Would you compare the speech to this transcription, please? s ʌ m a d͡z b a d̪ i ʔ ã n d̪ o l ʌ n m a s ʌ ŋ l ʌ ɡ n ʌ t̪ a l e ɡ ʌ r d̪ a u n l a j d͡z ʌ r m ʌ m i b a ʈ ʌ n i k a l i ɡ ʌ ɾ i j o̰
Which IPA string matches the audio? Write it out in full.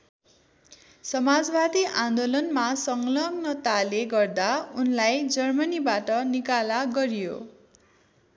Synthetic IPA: s ʌ m a d͡z b a d̪ i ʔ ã n d̪ o l ʌ n m a s ʌ ŋ l ʌ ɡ n ʌ t̪ a l e ɡ ʌ r d̪ a u n l a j d͡z ʌ r m ʌ n i b a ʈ ʌ n i k a l a ɡ ʌ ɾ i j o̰